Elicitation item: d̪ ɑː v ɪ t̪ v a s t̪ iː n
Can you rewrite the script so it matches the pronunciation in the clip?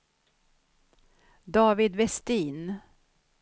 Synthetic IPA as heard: d̪ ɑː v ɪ d̪ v ɛ s t̪ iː n